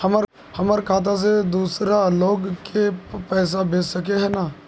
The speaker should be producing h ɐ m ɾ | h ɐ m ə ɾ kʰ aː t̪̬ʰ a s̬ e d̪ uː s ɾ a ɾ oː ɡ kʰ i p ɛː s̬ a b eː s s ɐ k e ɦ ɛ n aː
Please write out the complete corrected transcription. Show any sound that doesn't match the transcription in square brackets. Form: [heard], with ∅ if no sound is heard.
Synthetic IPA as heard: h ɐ m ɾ | h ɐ m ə ɾ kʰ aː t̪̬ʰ a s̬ e d̪ uː s ɾ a [l] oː ɡ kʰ [e] p ɛː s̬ a b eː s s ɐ k e ɦ ɛ n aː